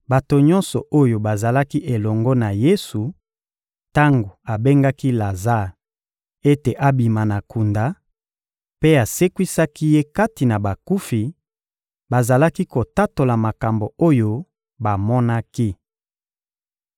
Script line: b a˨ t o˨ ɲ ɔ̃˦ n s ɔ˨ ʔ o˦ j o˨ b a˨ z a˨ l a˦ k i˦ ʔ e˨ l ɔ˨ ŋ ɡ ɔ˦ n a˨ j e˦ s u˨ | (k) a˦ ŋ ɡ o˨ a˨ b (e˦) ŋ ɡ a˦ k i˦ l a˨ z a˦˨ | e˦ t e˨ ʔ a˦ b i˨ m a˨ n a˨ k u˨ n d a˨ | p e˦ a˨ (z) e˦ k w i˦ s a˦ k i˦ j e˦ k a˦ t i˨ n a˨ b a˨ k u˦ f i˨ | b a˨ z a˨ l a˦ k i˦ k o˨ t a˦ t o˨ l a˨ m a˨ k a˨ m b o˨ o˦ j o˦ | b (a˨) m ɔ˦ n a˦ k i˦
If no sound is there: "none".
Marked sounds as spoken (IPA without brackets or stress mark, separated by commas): t, e˦, s, a˨